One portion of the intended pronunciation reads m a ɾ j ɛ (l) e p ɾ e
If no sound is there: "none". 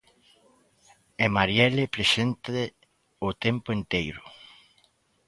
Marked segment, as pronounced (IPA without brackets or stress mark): l